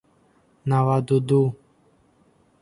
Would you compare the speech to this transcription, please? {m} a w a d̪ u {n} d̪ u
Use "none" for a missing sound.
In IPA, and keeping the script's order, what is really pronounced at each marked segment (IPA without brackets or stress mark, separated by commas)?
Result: n, none